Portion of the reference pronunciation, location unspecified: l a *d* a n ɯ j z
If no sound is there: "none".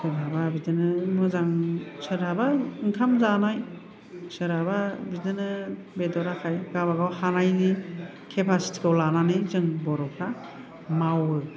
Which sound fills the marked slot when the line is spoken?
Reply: n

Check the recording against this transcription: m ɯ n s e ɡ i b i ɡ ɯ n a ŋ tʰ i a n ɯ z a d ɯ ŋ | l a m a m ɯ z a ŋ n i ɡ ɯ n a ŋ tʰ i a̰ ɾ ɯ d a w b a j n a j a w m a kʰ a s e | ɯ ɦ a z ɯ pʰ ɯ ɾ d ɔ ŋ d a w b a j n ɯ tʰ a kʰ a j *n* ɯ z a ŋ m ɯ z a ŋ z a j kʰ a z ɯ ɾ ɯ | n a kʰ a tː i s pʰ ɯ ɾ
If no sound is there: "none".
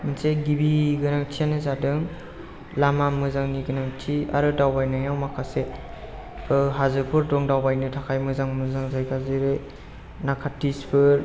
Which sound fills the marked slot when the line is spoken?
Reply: m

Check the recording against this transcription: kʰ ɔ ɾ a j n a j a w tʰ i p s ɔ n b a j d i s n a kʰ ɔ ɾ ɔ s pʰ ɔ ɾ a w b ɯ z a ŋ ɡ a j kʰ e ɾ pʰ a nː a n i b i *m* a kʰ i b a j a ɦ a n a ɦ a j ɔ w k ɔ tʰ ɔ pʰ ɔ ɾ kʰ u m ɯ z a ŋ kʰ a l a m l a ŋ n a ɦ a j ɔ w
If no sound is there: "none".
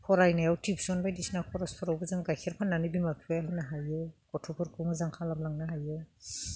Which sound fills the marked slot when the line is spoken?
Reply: m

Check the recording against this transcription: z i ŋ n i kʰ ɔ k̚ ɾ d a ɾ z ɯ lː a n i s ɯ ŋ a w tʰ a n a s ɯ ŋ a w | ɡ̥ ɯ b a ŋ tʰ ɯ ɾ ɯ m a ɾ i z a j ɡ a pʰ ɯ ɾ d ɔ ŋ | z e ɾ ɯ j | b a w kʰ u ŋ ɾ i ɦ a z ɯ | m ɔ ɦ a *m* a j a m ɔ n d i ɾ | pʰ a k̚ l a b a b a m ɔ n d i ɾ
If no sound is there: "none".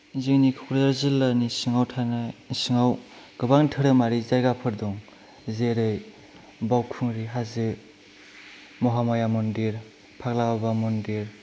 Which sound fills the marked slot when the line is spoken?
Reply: m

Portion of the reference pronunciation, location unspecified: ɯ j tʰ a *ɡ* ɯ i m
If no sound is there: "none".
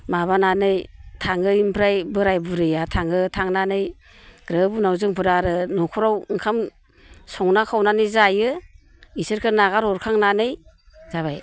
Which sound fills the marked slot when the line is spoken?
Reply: ŋ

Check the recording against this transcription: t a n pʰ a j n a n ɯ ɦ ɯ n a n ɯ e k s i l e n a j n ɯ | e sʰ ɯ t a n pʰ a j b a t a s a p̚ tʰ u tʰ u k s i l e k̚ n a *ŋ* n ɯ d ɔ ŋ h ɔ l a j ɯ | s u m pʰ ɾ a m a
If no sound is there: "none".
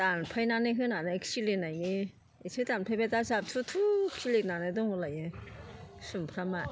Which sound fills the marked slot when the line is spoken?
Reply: none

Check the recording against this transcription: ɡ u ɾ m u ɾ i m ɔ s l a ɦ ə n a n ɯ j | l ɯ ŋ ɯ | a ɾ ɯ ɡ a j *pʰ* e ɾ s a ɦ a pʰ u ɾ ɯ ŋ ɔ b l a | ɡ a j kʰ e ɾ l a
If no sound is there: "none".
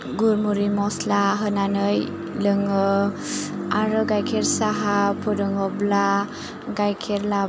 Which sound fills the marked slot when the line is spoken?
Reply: kʰ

